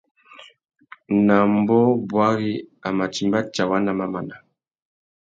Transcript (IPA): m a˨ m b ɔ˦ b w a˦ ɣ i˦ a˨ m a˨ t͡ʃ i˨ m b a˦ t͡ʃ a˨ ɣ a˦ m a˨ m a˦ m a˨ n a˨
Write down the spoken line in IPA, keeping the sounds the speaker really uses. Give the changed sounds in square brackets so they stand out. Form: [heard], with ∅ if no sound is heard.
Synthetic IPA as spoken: [n] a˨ m b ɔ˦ b w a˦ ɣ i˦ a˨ m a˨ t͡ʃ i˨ m b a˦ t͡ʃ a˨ [w] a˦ [n] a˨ m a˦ m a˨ n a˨